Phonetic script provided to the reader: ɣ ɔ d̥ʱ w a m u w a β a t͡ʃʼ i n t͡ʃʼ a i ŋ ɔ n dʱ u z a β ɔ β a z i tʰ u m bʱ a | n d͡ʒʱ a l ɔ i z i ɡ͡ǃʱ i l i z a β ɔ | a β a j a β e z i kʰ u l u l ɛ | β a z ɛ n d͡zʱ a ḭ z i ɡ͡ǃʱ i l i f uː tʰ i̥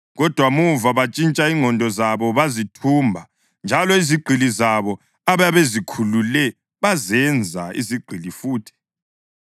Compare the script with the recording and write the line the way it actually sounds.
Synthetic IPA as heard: ɣ ɔ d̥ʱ w a m u v a β a t͡ʃʼ i n t͡ʃʼ a i ŋ ɔ n dʱ ɔ z a β ɔ β a z i tʰ u m bʱ a | n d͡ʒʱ a l ɔ i z i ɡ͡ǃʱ i l i z a β ɔ | a β a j a β e z i kʰ u l u l ɛ | β a z ɛ n d͡zʱ a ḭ z i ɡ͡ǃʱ i l i f uː tʰ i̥